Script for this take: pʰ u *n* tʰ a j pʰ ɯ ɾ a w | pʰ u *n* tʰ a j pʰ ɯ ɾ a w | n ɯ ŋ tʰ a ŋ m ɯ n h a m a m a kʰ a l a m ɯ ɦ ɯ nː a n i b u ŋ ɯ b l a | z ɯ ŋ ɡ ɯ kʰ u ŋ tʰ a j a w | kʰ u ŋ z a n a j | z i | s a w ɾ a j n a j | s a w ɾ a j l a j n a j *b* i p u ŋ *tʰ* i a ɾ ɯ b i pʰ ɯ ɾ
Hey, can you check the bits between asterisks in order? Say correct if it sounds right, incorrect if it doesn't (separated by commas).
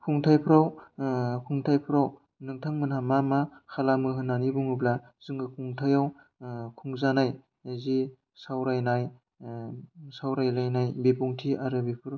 incorrect, incorrect, correct, correct